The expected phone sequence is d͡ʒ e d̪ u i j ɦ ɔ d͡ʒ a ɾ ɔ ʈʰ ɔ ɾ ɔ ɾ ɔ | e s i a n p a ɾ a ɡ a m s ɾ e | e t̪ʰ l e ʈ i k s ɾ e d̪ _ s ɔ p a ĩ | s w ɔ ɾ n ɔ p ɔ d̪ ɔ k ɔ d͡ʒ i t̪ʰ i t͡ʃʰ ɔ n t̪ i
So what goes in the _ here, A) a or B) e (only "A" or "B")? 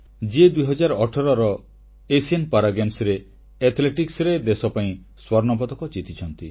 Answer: B